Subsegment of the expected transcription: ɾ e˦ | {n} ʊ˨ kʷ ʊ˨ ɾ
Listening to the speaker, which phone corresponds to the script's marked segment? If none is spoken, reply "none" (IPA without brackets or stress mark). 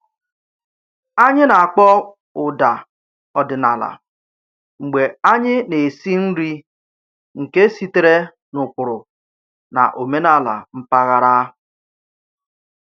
n